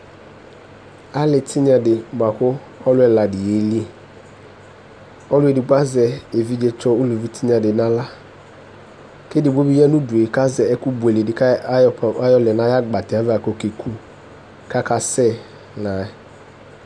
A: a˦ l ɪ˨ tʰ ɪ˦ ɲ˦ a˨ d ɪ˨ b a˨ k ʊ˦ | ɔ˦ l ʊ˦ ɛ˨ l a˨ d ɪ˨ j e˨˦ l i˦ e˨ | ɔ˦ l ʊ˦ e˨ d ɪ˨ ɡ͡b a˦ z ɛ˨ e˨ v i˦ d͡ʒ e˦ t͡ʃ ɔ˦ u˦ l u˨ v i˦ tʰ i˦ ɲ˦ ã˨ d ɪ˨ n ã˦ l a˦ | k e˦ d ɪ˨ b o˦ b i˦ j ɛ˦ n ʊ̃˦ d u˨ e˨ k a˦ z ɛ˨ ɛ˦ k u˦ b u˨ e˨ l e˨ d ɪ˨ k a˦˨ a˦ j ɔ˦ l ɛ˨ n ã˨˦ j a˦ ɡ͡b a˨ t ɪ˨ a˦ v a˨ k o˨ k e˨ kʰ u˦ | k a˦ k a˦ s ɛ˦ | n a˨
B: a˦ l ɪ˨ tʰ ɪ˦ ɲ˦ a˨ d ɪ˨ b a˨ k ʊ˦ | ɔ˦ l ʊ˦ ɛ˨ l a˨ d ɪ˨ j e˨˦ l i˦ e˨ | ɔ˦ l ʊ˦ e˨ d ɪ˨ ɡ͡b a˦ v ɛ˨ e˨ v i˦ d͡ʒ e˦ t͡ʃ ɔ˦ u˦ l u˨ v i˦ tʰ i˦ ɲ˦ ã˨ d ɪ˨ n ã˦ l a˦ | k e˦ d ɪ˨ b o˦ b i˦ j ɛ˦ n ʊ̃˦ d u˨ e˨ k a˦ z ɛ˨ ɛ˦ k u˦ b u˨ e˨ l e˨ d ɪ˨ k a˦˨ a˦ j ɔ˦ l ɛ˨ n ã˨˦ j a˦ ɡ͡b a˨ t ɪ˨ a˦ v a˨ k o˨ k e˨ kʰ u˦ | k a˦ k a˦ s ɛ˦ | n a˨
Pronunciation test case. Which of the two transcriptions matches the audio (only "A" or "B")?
A